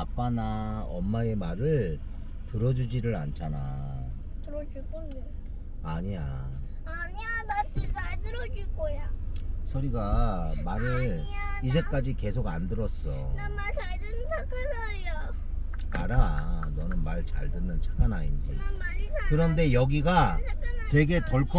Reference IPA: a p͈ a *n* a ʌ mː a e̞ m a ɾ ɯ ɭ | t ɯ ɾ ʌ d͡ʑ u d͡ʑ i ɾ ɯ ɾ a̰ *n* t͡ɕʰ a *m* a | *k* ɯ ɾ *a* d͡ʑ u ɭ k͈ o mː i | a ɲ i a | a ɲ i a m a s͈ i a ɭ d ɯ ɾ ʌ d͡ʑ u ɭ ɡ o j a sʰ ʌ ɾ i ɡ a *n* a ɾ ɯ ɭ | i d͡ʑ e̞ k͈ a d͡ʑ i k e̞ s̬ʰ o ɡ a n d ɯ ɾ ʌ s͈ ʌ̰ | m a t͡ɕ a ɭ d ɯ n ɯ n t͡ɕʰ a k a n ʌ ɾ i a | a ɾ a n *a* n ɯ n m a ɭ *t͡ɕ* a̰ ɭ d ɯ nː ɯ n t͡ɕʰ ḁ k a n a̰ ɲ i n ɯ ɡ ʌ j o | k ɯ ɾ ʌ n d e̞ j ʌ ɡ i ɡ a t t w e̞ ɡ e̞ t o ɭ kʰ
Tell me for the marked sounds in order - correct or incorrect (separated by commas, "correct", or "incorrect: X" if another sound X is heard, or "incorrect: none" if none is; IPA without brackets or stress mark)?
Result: correct, correct, incorrect: n, incorrect: t, incorrect: ʌ, incorrect: m, incorrect: ʌ, correct